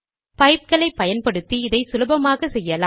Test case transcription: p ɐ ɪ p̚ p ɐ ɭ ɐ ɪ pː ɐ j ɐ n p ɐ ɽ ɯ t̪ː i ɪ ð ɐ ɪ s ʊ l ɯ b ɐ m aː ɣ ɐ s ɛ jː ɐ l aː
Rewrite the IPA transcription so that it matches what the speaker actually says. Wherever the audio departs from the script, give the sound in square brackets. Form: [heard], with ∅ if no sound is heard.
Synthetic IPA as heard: p ɐ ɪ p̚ [k] ɐ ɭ ɐ ɪ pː ɐ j ɐ n p ɐ ɽ ɯ t̪ː i ɪ ð ɐ ɪ s ʊ l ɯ b ɐ m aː ɣ ɐ s ɛ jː ɐ l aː